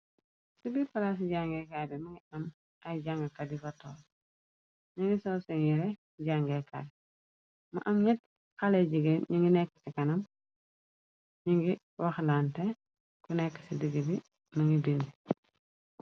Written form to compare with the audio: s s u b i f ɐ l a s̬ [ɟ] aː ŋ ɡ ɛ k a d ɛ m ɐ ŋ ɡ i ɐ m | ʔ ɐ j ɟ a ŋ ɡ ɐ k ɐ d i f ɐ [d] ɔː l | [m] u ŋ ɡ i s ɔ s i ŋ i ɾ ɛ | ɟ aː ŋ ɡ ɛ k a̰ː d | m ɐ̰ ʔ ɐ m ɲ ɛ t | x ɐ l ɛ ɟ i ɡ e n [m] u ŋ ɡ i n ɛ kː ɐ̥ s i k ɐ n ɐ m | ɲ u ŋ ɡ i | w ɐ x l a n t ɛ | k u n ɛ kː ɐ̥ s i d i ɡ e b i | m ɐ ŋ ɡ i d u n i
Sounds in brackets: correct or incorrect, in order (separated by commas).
correct, incorrect, incorrect, incorrect